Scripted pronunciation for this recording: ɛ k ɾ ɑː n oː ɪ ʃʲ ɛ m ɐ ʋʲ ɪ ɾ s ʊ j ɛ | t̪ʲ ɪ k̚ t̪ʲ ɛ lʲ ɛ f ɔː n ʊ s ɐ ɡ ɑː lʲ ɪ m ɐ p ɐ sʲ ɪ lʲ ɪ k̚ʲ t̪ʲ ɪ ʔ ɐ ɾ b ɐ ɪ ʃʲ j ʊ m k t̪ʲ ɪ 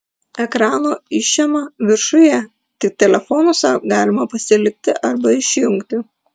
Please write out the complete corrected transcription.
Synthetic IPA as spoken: ɛ k ɾ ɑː n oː ɪ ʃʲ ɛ m ɐ ʋʲ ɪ ɾ ʃ ʊ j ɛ | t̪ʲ ɪ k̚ t̪ʲ ɛ lʲ ɛ f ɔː n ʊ s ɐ ɡ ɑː lʲ ɪ m ɐ p ɐ sʲ ɪ lʲ ɪ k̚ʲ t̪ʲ ɪ ʔ ɐ ɾ b ɐ ɪ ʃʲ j ʊ ŋ k t̪ʲ ɪ